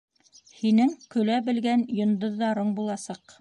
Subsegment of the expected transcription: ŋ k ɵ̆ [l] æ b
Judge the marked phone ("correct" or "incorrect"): correct